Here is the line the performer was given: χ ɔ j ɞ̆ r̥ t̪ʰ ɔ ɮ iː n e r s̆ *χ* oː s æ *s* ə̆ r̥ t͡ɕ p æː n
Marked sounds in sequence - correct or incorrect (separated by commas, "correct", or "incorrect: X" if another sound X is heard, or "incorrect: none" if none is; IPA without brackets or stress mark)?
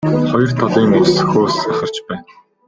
incorrect: x, incorrect: χ